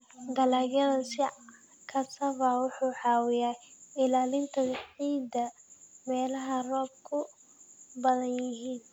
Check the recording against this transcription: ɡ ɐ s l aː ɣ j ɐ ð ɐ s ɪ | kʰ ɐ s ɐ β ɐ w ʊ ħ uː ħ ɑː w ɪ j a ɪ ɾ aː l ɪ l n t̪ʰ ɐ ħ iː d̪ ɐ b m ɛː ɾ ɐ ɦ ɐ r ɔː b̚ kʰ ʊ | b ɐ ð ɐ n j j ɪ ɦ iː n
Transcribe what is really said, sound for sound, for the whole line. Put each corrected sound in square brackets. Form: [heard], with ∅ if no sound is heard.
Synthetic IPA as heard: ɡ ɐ [∅] l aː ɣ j ɐ ð ɐ s ɪ | kʰ ɐ s ɐ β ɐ w ʊ ħ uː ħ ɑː w ɪ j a ɪ [l] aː l ɪ [∅] n t̪ʰ ɐ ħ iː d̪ ɐ [∅] m ɛː [l] ɐ ɦ ɐ r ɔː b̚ kʰ ʊ | b ɐ ð ɐ n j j ɪ ɦ iː n